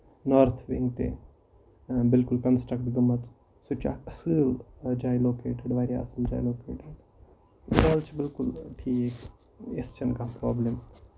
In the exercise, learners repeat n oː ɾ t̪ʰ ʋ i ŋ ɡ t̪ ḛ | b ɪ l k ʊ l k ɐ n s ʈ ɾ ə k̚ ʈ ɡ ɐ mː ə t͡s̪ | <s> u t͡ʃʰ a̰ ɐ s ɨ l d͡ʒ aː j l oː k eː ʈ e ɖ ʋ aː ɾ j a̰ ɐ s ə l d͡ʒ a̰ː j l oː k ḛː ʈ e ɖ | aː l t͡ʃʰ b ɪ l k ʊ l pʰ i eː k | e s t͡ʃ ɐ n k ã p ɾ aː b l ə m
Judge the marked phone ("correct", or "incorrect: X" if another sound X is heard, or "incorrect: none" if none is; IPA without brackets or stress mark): correct